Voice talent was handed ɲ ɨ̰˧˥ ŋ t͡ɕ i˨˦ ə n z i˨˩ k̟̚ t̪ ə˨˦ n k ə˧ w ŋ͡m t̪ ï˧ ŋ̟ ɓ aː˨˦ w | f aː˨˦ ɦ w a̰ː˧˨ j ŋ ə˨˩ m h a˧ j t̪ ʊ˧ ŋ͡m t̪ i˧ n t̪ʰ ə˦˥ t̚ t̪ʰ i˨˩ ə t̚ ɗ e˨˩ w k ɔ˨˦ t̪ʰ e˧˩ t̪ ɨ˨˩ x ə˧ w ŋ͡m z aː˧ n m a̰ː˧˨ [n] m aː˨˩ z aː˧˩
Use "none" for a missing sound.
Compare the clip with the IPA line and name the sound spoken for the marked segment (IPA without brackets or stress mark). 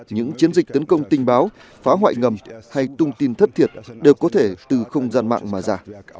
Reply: ŋ